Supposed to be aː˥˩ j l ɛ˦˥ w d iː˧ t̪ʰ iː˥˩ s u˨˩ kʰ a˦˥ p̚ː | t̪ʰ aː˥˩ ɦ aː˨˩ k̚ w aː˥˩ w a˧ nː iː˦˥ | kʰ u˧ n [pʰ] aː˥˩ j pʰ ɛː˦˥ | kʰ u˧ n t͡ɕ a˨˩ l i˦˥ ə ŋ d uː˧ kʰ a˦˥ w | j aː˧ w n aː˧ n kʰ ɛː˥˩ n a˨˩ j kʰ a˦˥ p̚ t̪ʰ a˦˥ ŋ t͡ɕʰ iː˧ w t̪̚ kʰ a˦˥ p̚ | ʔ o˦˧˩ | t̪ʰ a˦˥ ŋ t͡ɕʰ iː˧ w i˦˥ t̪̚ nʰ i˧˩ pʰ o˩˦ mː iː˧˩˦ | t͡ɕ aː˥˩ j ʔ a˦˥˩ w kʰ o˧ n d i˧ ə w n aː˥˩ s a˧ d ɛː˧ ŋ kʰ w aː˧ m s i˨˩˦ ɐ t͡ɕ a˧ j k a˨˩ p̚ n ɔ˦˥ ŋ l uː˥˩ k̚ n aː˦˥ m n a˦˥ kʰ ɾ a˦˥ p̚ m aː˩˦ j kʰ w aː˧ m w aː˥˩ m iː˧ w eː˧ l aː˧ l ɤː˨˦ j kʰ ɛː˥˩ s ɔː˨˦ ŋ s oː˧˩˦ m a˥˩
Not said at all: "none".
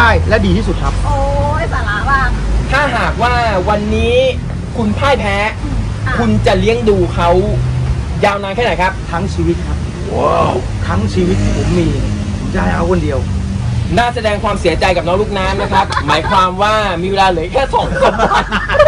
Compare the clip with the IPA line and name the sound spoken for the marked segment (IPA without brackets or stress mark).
pʰ